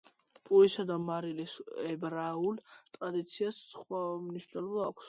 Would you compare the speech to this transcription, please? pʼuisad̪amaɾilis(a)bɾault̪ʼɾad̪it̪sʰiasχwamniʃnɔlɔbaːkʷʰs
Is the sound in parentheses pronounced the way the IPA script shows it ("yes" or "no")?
no